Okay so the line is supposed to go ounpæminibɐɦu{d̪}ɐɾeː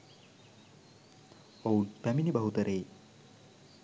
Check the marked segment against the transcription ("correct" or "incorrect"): incorrect